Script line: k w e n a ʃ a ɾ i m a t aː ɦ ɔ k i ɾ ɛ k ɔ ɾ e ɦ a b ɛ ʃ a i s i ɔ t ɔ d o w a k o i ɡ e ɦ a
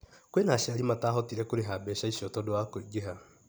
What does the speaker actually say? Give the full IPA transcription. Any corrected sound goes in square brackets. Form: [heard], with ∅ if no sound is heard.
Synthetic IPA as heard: k w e n a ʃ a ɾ i m a t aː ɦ ɔ [t] i ɾ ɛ k [o] ɾ e ɦ a b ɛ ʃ a i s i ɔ t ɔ d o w a k o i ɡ e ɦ a